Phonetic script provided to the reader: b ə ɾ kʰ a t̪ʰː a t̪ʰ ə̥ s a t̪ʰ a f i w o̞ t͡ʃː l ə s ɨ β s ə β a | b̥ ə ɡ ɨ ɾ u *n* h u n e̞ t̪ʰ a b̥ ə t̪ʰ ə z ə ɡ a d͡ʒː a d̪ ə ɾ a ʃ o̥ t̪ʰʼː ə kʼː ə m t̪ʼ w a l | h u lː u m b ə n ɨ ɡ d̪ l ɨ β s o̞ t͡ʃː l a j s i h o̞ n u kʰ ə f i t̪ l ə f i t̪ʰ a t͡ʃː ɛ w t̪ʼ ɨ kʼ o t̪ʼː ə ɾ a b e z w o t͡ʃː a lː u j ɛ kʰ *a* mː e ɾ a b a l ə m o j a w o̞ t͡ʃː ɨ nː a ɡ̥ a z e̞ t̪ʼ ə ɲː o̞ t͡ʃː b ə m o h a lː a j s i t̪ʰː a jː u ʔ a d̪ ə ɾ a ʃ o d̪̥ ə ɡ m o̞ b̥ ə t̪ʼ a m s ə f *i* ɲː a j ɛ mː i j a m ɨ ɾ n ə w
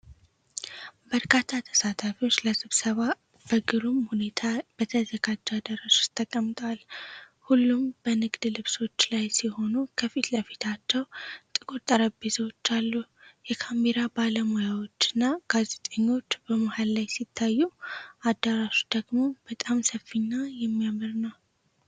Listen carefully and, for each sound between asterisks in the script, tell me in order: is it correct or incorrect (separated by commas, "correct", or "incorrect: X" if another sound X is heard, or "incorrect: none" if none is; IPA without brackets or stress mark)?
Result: incorrect: m, correct, correct